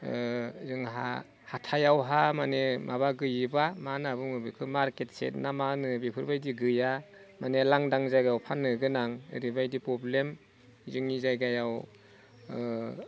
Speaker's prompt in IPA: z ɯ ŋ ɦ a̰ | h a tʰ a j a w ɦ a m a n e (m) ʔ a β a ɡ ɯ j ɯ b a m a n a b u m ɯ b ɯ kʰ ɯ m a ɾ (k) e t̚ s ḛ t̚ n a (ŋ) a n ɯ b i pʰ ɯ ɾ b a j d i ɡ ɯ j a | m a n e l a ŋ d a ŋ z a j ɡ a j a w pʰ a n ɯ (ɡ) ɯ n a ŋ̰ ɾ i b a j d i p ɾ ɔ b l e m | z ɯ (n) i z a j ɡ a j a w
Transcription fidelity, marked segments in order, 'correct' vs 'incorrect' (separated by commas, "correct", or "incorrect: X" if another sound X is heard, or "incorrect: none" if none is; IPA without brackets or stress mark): correct, correct, incorrect: m, correct, incorrect: ŋ